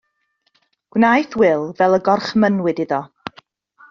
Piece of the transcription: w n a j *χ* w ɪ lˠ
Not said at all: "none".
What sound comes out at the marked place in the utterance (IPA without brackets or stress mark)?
θ